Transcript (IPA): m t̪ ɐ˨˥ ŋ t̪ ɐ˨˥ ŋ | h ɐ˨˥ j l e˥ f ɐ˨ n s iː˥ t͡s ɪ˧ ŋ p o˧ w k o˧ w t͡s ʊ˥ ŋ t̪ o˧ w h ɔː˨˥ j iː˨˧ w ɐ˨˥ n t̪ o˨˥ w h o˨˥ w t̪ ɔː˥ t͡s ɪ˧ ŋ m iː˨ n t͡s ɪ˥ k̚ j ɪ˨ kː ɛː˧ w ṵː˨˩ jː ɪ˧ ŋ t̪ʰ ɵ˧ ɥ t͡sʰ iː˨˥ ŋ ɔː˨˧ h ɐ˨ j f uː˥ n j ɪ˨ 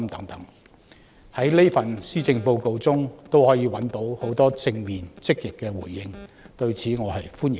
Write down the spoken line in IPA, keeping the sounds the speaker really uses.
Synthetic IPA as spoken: m t̪ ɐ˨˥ ŋ t̪ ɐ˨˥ ŋ | h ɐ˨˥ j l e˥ f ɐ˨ n s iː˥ t͡s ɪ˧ ŋ p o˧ w k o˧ w t͡s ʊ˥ ŋ t̪ o˥ w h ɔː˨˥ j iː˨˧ w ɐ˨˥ n t̪ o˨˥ w h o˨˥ w t̪ ɔː˥ t͡s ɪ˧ ŋ m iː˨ n t͡s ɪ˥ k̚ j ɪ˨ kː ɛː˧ w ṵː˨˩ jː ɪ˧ ŋ t̪ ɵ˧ ɥ t͡sʰ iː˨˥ ŋ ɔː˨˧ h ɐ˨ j f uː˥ n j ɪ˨